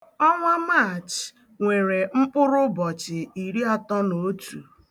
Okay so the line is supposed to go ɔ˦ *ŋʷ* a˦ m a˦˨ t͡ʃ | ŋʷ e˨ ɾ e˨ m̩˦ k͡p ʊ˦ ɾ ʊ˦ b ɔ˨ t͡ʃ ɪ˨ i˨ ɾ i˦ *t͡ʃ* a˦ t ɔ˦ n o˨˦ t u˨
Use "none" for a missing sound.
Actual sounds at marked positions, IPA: ŋʷ, none

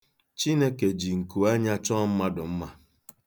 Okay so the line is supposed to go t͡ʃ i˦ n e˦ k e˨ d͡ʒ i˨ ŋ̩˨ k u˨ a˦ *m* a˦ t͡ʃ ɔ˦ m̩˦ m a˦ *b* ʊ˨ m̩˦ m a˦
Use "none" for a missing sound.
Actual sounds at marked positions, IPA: ɲ, d

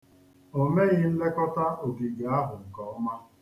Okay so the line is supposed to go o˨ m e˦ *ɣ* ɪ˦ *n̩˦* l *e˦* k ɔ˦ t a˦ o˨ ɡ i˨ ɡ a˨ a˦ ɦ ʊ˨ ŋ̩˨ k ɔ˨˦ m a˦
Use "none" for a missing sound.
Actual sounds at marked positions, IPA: ɣ, n̩˦, e˦

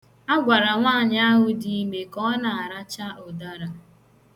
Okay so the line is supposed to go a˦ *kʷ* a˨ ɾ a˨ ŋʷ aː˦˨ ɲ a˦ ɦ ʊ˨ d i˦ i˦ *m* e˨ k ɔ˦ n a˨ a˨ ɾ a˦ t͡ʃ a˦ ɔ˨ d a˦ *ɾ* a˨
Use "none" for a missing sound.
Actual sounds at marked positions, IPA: ɡʷ, m, ɾ

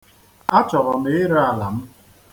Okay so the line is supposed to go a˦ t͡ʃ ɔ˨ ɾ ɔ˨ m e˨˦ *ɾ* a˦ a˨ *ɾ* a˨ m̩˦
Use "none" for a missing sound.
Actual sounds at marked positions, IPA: ɾ, l

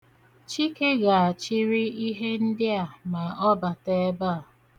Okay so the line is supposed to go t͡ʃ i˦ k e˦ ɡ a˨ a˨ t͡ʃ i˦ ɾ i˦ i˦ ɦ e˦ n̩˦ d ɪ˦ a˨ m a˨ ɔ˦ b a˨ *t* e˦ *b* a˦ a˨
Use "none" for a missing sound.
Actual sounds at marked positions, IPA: t, b

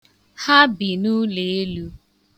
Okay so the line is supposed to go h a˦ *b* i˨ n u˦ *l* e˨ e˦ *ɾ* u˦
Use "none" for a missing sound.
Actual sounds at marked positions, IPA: b, l, l

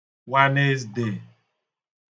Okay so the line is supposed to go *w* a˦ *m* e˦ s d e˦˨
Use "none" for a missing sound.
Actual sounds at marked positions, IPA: w, n

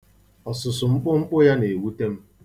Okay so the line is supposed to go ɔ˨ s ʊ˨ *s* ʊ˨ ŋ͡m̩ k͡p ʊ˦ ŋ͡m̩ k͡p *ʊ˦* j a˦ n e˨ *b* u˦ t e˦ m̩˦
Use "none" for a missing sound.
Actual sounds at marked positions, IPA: s, ʊ˦, w

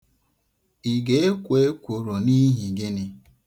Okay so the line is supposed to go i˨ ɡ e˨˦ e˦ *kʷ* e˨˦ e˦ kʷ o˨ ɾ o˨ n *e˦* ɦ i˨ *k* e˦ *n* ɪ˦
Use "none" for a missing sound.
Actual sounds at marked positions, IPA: kʷ, i˦, ɡ, n

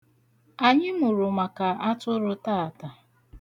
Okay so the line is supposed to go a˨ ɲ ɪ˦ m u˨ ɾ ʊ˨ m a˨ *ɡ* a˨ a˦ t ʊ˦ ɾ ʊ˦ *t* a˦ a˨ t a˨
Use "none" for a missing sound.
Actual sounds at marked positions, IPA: k, t

